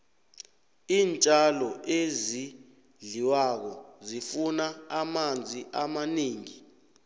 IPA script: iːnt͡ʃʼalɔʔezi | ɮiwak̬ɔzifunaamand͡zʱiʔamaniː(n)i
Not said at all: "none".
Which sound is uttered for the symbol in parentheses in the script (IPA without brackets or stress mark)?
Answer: ŋ